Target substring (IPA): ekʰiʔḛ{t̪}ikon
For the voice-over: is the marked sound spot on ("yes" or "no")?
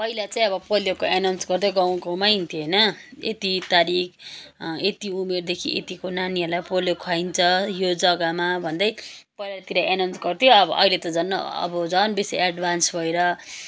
yes